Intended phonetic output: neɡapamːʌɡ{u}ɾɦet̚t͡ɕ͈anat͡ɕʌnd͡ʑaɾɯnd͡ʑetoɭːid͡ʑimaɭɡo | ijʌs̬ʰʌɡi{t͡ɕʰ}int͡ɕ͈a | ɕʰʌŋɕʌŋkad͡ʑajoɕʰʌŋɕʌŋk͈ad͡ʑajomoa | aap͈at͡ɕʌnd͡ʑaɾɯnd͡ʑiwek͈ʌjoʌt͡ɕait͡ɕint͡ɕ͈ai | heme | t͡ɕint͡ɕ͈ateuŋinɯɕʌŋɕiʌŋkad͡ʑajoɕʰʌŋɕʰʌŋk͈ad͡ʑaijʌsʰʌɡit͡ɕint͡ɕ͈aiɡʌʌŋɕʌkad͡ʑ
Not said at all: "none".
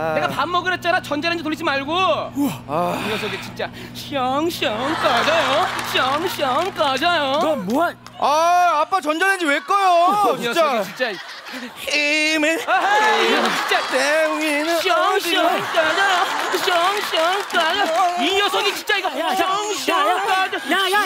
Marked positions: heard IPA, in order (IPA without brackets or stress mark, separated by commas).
ɯ, t͡ɕ